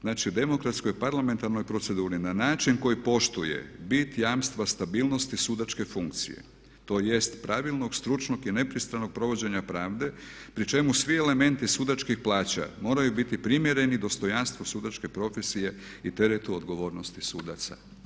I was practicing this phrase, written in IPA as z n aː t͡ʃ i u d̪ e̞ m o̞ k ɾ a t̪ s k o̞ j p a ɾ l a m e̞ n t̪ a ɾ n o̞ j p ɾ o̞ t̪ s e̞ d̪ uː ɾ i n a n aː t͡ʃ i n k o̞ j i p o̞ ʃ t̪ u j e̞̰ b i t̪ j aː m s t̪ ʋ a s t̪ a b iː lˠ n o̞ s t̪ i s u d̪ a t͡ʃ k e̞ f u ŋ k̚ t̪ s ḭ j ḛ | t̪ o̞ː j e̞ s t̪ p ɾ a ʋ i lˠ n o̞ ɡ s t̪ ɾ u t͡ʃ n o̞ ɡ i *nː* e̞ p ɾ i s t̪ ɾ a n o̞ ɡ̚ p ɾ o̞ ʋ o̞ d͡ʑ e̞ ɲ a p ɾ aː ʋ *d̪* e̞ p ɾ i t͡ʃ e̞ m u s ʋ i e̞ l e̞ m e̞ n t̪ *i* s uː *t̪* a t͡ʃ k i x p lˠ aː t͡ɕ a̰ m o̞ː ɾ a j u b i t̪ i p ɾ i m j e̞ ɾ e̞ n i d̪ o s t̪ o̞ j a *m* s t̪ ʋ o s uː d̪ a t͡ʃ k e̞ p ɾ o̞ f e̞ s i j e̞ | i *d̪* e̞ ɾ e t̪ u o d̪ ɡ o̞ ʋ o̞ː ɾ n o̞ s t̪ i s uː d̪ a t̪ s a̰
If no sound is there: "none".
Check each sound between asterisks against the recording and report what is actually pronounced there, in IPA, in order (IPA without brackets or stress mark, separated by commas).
n, d̪, i, d̪, n, t̪